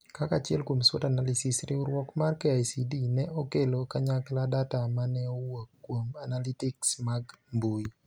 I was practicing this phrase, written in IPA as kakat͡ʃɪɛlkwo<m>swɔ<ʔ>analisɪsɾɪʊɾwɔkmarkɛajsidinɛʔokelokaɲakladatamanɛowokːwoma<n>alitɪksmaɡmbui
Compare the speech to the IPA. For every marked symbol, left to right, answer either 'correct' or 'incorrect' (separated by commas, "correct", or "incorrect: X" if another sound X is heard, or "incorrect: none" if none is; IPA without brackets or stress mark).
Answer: correct, incorrect: t, correct